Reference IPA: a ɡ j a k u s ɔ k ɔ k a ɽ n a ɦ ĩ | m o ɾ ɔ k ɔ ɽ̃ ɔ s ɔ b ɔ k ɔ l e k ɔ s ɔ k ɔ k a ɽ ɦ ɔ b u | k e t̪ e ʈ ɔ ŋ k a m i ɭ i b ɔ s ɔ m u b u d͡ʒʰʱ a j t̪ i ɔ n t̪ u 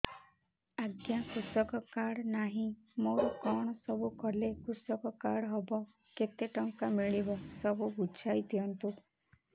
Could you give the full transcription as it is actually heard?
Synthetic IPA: a ɡ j a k u s ɔ k ɔ k a ɽ n a ɦ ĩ | m o ɾ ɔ k ɔ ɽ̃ ɔ s ɔ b u k ɔ l e k u s ɔ k ɔ k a ɽ ɦ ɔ b ɔ | k e t̪ e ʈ ɔ ŋ k a m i ɭ i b ɔ s ɔ b u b u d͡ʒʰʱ a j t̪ i ɔ n t̪ u